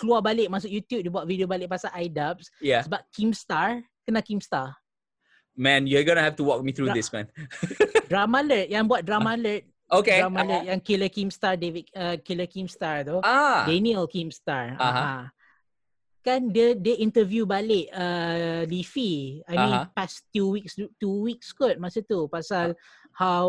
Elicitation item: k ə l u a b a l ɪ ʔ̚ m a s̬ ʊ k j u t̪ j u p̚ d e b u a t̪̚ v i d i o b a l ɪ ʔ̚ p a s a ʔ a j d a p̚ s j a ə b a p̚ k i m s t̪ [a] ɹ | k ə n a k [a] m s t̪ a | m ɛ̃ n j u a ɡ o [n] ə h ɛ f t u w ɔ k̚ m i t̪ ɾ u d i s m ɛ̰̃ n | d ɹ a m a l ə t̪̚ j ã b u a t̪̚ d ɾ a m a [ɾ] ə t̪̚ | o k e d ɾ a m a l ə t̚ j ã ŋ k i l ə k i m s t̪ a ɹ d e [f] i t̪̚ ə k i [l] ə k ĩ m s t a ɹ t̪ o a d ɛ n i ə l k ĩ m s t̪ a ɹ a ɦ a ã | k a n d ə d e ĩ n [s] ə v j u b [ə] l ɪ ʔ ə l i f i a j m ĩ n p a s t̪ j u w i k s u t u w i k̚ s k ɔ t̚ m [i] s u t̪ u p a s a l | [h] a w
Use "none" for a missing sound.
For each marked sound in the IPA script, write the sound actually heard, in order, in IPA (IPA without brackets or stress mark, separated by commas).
a, i, n, l, v, l, t, a, a, h